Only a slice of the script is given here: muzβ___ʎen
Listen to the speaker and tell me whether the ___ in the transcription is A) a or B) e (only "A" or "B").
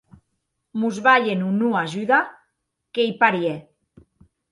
A